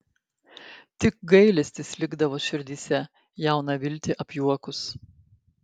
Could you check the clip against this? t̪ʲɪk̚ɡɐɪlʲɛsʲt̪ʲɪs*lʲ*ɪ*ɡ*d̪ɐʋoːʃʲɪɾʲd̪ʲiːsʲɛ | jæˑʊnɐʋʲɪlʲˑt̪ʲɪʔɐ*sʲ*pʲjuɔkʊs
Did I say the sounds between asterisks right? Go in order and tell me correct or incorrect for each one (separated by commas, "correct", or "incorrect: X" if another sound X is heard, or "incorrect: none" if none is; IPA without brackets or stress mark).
correct, correct, incorrect: none